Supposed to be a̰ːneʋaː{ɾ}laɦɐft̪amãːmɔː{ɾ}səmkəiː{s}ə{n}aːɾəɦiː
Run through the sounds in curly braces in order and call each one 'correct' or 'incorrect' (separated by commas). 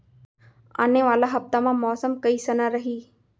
incorrect, incorrect, correct, correct